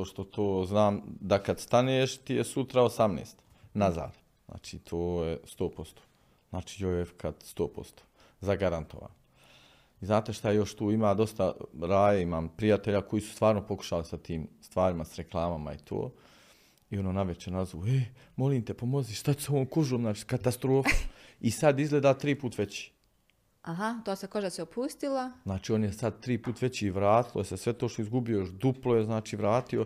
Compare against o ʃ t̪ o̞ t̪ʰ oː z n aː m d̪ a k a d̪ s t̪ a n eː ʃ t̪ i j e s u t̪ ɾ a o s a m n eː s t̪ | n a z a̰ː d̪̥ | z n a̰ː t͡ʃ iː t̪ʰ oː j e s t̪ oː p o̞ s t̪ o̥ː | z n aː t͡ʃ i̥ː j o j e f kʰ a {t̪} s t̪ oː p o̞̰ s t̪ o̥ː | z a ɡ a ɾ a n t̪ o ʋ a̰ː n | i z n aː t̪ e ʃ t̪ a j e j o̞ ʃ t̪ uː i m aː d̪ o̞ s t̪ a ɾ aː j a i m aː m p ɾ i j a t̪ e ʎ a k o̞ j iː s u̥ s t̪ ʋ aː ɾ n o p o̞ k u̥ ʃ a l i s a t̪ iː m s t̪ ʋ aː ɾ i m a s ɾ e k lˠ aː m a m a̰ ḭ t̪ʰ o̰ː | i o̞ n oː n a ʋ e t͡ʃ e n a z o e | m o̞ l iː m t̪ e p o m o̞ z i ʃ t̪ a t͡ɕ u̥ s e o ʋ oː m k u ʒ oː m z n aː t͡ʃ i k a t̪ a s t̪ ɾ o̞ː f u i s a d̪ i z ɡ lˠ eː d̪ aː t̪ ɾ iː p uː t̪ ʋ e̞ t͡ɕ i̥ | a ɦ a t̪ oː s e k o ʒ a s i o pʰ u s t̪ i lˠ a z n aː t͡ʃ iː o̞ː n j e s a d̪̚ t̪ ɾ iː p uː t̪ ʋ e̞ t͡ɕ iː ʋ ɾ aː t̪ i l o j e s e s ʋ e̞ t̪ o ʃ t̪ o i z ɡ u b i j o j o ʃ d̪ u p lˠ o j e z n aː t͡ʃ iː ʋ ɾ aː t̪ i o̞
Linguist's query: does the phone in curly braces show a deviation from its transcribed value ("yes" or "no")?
yes